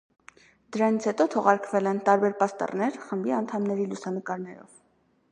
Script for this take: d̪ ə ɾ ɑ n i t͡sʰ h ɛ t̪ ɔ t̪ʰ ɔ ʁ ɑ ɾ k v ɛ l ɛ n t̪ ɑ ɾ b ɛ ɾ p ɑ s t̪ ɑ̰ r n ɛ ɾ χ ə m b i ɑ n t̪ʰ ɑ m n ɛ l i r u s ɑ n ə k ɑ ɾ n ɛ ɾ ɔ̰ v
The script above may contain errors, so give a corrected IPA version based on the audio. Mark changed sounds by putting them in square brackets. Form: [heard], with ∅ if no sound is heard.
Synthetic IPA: d̪ ə ɾ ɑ n i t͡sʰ h ɛ t̪ ɔ t̪ʰ ɔ ʁ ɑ ɾ k v ɛ l ɛ n t̪ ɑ ɾ b ɛ ɾ p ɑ s t̪ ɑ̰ r n ɛ ɾ χ ə m b i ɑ n t̪ʰ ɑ m n ɛ [ɾ] i [l] u s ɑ n ə k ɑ ɾ n ɛ ɾ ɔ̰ v